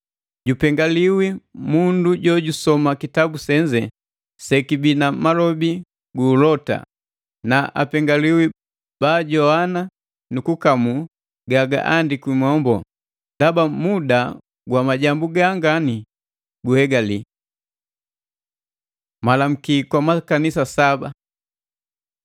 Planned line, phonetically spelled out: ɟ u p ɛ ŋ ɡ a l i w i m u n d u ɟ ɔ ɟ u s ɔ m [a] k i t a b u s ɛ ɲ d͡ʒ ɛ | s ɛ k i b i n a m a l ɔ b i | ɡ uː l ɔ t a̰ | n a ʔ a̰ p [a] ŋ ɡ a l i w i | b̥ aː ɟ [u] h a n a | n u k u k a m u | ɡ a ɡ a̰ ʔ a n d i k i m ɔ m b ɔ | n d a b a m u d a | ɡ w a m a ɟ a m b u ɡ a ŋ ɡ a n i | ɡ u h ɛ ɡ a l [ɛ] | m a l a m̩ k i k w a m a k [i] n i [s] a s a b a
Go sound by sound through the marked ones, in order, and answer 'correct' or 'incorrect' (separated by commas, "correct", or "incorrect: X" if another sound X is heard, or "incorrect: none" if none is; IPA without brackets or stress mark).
correct, incorrect: ɛ, incorrect: ɔ, incorrect: i, incorrect: a, correct